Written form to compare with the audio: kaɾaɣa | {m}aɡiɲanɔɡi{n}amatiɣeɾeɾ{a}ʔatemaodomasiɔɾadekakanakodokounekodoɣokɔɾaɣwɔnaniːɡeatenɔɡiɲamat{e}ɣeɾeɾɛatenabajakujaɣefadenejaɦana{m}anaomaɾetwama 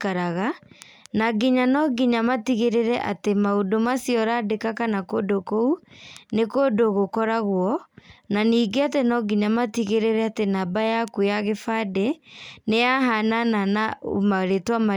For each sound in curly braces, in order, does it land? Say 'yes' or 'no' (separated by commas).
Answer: no, no, no, no, no